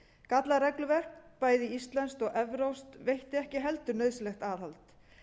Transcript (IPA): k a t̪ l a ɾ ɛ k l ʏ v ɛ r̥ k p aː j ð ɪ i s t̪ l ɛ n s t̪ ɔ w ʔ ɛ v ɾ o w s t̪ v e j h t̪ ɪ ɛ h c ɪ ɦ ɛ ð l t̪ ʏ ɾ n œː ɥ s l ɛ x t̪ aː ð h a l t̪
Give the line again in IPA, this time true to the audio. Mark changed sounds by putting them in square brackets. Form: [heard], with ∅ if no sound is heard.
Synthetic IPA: k a t̪ l a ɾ ɛ k l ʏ v ɛ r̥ k p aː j ð ɪ i s t̪ l ɛ n s t̪ ɔ [ɣ] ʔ ɛ v ɾ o w s t̪ v e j h t̪ ɪ ɛ h c ɪ ɦ ɛ [∅] l t̪ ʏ ɾ n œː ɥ s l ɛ x t̪ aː ð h a l t̪

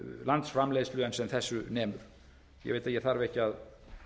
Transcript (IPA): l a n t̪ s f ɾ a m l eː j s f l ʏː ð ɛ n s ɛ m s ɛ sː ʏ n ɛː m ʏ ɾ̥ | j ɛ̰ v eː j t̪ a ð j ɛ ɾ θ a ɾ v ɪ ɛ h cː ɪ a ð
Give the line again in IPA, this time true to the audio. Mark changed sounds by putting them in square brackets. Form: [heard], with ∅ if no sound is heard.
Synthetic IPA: l a n t̪ s f ɾ a m l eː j s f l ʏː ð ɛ n s ɛ m [θ] ɛ sː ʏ n ɛː m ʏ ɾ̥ | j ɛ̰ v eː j t̪ a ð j ɛ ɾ θ a ɾ v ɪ ɛ h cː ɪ a ð

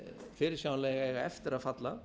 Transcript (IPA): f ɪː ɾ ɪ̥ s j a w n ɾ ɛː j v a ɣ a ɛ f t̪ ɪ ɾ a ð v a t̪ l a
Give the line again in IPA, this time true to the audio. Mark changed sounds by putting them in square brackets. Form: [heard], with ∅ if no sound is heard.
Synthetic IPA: f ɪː ɾ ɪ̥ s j a w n [l] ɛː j [ɣ] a ɣ a ɛ f t̪ ɪ ɾ a ð [f] a t̪ l a

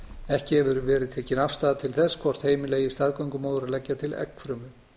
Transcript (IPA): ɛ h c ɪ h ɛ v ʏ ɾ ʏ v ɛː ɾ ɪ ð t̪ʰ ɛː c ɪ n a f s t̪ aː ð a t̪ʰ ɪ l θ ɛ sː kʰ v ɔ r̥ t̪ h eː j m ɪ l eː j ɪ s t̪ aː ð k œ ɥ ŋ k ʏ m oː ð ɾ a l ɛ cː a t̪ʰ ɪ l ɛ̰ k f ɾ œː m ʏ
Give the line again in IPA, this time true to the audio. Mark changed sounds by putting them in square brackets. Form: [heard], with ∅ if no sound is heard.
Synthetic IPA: ɛ h c ɪ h ɛ v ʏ ɾ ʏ v ɛː ɾ ɪ ð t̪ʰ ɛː c ɪ n a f s t̪ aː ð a t̪ʰ ɪ l θ ɛ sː kʰ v ɔ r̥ t̪ h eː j m ɪ l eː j ɪ s t̪ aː ð k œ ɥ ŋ k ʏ m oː ð ɾ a l ɛ cː a t̪ʰ ɪ l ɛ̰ k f ɾ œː m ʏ

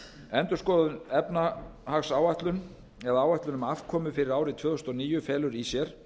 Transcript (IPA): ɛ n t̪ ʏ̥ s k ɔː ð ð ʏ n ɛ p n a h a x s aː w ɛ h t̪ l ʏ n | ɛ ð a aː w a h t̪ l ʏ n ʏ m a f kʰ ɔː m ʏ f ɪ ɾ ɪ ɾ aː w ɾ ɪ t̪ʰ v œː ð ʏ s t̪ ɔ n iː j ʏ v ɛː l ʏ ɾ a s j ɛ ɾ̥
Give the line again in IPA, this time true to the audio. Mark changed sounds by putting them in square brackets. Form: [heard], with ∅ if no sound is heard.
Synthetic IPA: ɛ n t̪ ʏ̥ s k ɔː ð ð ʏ n ɛ p n a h a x s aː w [a] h t̪ l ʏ n | ɛ ð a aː w a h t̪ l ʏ n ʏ m a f kʰ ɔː m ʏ f ɪ ɾ ɪ ɾ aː w ɾ ɪ t̪ʰ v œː ð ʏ s t̪ ɔ n iː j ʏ [f] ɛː l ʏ ɾ [i] s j ɛ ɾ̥

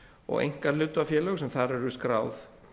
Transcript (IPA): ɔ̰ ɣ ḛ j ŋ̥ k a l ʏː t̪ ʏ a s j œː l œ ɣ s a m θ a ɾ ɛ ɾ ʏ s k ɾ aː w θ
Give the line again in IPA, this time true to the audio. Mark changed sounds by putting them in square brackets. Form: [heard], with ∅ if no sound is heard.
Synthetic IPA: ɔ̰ ɣ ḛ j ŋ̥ k a l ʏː t̪ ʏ a [f] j [ɛː] l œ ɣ s [ɛ] m θ a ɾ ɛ ɾ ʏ s k ɾ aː w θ

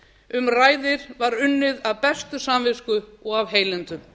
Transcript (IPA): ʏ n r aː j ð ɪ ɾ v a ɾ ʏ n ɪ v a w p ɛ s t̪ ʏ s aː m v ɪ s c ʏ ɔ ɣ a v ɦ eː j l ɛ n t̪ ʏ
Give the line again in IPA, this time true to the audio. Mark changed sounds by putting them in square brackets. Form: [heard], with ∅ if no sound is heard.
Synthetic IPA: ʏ [m] r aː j ð ɪ ɾ v a ɾ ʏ [nː] ɪ [ð] a [v] p ɛ s t̪ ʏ s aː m v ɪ s [k] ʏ ɔ ɣ a v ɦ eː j l ɛ n t̪ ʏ

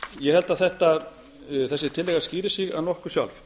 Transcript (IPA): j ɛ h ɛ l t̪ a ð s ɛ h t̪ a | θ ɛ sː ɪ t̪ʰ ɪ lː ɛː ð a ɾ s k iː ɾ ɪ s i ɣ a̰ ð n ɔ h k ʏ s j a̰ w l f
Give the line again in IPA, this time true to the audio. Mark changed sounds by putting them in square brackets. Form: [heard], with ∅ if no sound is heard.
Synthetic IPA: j ɛ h ɛ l t̪ a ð [θ] ɛ h t̪ a | θ ɛ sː ɪ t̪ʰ ɪ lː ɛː [ɣ] a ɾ s [c] iː ɾ ɪ s i ɣ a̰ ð n ɔ h k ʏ s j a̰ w l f

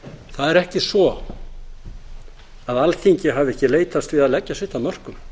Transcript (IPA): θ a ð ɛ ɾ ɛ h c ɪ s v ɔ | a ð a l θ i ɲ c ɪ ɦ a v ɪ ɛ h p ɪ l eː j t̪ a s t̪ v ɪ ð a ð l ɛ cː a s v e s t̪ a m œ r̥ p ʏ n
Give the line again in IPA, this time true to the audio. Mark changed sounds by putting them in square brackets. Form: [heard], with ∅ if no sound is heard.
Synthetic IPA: θ a ð ɛ ɾ ɛ h c ɪ s v ɔ | a ð a l θ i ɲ c ɪ ɦ a v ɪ ɛ h [c] ɪ l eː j t̪ a s t̪ v ɪ ð a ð l ɛ cː a s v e [h] t̪ a m œ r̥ [k] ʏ [m]

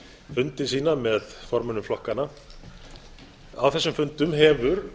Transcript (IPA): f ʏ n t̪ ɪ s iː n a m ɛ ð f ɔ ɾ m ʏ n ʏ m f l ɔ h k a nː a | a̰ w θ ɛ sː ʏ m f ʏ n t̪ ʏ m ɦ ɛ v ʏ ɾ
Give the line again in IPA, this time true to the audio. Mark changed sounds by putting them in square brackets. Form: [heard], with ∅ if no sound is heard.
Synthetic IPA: f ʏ n t̪ ɪ s iː n a m ɛ ð f ɔ ɾ m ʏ n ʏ m f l ɔ h k a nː a | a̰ w θ ɛ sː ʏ m f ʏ n t̪ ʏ m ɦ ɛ v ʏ ɾ

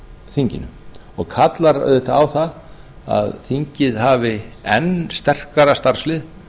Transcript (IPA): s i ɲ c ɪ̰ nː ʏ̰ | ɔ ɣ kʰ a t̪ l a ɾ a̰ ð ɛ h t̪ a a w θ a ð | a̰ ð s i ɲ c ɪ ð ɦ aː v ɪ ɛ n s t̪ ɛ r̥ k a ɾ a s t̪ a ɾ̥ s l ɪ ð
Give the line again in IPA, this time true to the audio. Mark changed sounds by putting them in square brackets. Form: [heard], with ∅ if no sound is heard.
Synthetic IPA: [θ] i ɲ c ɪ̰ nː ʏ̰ | ɔ ɣ kʰ a t̪ l a ɾ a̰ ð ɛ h t̪ a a w θ a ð | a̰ ð [θ] i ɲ c ɪ ð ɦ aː v ɪ ɛ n s t̪ ɛ r̥ k a ɾ a s t̪ a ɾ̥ s l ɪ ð

